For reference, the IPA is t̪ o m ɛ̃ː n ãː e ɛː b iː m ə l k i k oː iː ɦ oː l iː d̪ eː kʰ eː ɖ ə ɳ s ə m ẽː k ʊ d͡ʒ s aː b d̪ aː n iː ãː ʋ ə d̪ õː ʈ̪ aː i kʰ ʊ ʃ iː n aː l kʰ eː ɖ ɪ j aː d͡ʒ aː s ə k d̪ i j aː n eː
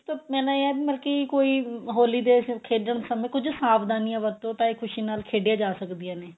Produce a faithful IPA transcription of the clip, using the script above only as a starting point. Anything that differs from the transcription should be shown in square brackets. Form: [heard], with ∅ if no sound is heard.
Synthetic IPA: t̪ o m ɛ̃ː n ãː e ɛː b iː m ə l k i k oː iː ɦ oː l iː d̪ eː kʰ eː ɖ ə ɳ s ə m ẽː k ʊ d͡ʒ s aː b d̪ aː n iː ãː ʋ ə [t̪] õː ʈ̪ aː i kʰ ʊ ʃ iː n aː l kʰ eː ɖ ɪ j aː d͡ʒ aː s ə k d̪ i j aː n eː